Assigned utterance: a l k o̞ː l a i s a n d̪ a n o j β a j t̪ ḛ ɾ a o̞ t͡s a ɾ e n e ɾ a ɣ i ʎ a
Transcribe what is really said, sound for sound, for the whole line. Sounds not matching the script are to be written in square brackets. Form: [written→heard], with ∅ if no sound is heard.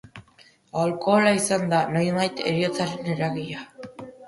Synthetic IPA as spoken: a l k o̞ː l a i s a n d̪ a n o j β a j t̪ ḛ ɾ [a→i] o̞ t͡s a ɾ e n e ɾ a ɣ i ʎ a